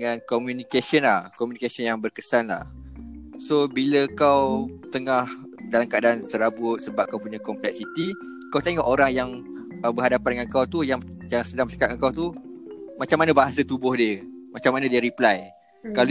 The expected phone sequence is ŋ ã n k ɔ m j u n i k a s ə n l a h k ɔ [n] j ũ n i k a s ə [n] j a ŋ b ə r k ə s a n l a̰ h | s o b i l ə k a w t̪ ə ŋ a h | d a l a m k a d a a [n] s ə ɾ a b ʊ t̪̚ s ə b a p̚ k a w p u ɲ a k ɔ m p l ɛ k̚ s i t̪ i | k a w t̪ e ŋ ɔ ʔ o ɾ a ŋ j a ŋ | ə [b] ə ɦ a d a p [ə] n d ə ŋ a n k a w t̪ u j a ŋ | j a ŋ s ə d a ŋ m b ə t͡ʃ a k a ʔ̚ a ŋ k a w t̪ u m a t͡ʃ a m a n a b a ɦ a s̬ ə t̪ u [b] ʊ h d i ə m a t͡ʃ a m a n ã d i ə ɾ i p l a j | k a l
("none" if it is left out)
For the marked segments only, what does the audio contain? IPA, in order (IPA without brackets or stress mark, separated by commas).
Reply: m, n, n, b, a, b